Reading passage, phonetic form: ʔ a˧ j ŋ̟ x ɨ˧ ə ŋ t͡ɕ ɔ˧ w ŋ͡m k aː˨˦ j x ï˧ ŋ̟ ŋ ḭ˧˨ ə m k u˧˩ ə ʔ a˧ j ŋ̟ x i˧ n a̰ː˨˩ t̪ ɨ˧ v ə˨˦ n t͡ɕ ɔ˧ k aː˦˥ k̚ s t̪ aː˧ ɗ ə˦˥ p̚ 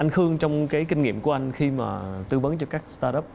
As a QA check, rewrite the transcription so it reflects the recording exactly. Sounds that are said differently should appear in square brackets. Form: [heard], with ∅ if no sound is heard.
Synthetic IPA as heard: ʔ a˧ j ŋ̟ x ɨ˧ ə ŋ t͡ɕ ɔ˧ w ŋ͡m k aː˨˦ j [k] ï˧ ŋ̟ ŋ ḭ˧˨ ə m k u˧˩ ə ʔ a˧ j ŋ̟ x i˧ [m] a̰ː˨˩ t̪ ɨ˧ v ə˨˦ n t͡ɕ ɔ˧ k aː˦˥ k̚ s t̪ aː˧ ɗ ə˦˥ p̚